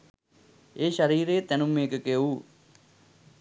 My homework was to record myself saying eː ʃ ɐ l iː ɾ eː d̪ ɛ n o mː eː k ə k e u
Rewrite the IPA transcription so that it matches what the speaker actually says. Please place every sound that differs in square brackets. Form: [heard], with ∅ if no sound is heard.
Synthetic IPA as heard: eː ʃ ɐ [ɾ] iː ɾ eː [t̪] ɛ n [u] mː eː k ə k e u